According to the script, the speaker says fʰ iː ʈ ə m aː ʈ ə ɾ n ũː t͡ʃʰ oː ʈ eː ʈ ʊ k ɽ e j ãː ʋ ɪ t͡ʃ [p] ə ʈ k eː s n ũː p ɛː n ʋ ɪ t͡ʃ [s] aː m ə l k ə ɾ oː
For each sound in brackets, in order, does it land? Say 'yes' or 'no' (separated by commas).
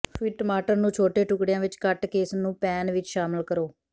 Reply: no, no